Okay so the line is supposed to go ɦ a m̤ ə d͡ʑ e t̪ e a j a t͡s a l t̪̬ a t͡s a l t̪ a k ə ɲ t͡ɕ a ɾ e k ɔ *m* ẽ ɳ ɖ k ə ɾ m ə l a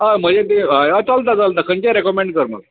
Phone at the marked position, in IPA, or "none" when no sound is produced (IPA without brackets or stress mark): m